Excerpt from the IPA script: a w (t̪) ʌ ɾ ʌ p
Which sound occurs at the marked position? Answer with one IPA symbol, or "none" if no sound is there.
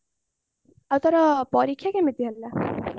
t̪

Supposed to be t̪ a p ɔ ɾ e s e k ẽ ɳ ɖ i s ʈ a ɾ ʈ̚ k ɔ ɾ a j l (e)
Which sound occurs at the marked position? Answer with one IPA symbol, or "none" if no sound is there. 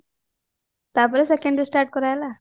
a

